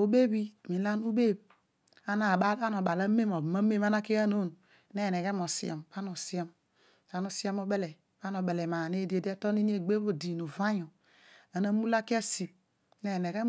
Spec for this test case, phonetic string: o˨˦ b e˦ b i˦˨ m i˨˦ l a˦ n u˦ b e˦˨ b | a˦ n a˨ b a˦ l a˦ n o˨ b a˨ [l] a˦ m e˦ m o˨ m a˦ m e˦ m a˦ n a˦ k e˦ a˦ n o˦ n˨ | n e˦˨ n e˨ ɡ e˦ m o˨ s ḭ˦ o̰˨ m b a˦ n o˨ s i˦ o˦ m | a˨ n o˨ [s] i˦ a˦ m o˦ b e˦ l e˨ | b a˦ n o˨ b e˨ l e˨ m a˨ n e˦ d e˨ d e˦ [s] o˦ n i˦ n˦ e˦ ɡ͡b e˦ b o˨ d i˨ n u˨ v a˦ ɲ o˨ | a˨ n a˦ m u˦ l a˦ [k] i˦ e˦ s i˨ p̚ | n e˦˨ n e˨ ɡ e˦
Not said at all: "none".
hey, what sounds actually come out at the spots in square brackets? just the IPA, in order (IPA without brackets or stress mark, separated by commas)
l, s, t, k